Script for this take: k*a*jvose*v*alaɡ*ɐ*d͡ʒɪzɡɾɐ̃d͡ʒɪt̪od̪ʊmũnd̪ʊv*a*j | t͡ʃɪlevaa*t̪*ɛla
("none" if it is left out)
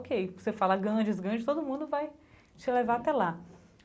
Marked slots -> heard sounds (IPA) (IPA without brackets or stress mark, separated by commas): e, f, ɐ̃, a, t̪